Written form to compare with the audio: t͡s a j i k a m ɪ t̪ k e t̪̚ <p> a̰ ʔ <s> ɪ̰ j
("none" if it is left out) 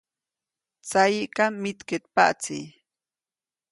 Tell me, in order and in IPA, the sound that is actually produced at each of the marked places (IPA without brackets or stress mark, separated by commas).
p, t͡s